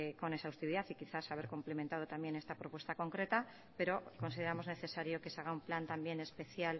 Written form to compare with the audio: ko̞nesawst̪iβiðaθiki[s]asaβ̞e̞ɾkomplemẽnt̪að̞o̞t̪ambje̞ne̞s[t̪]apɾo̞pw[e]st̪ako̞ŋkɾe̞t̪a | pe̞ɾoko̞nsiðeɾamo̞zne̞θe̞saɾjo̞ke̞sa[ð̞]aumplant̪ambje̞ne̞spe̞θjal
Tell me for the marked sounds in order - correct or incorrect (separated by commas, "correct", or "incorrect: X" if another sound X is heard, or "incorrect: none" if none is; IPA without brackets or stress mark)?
incorrect: θ, correct, correct, incorrect: ɣ̞